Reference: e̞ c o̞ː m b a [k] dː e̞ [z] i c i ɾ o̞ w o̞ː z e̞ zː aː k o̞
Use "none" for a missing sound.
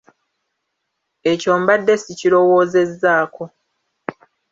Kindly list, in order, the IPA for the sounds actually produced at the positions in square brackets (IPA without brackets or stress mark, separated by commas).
none, s